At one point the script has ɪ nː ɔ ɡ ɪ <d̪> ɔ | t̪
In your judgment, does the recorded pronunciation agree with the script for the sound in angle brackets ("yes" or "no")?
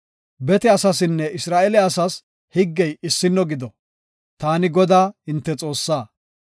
yes